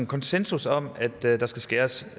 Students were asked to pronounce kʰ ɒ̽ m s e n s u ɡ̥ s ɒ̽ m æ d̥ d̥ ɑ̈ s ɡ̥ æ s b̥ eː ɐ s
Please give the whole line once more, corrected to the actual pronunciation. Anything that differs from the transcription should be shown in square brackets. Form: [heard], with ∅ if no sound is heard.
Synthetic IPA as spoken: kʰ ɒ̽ [n] s e n s u [∅] s ɒ̽ m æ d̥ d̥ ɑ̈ s ɡ̥ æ s [ɡ̥] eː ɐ s